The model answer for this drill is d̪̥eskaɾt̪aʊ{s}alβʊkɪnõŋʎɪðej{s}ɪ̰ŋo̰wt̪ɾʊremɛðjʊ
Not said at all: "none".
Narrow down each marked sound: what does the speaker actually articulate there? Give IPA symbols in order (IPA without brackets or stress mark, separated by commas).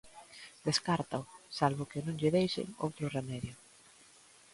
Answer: s, ʃ